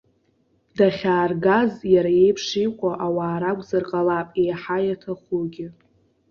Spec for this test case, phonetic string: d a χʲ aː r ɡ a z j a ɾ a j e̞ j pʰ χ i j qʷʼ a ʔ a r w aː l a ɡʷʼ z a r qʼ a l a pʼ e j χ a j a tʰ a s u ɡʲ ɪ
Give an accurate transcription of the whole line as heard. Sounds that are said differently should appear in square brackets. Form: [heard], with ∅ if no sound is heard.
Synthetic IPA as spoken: d a χʲ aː r ɡ a z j a ɾ a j e̞ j pʰ [ʂ] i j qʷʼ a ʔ a [∅] w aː [ɾ] a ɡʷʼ z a r qʼ a l a pʼ e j [ħ] a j a tʰ a [χ] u ɡʲ ɪ